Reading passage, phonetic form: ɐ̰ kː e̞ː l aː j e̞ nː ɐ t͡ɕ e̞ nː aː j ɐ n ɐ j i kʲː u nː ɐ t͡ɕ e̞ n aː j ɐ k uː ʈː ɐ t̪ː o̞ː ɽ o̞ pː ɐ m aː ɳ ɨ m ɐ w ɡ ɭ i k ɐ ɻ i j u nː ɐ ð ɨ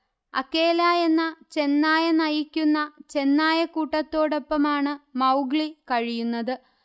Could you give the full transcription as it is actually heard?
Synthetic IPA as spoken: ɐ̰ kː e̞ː l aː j e̞ nː ɐ t͡ɕ e̞ nː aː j ɐ n ɐ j i kʲː u nː ɐ t͡ɕ e̞ nː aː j ɐ k uː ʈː ɐ t̪ː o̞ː ɽ o̞ pː ɐ m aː ɳ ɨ m ɐ w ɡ ɭ i k ɐ ɻ i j u nː ɐ ð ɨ